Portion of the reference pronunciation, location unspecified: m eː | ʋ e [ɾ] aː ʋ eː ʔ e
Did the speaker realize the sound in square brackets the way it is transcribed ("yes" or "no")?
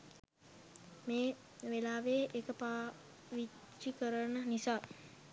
no